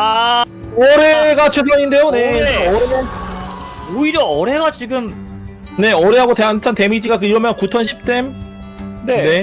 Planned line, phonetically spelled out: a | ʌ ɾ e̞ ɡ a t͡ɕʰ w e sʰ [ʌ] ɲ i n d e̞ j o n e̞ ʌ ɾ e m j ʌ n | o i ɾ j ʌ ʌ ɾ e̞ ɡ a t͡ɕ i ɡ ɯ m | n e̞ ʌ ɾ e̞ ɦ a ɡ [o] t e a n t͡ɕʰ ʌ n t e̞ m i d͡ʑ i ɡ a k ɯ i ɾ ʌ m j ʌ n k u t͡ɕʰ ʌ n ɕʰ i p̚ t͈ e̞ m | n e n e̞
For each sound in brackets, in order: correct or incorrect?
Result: correct, correct

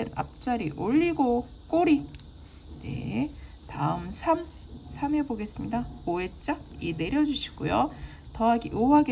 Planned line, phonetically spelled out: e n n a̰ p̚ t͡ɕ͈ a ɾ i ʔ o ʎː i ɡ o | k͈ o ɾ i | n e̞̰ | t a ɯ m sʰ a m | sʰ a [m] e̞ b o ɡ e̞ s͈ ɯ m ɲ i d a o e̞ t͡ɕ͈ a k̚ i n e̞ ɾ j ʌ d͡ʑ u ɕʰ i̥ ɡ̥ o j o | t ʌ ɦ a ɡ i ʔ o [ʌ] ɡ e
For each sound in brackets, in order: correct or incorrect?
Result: correct, incorrect: a

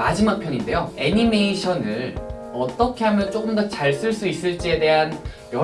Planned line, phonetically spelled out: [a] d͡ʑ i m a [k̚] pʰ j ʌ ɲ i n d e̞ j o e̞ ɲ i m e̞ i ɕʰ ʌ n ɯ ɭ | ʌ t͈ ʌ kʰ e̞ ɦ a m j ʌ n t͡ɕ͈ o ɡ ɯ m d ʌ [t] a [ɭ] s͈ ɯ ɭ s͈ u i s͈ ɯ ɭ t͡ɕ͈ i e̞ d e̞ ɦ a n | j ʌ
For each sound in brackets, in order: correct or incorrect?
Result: correct, correct, incorrect: t͡ɕ, correct

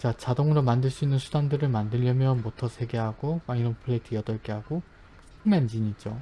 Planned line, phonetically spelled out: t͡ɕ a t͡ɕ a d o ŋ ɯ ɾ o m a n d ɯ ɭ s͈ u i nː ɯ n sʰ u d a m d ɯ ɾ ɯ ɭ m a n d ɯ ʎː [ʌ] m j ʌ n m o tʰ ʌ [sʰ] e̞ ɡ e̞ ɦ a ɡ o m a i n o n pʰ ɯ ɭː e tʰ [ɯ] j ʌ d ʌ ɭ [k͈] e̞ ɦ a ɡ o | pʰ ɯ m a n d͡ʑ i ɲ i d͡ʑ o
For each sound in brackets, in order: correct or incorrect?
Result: correct, correct, correct, correct

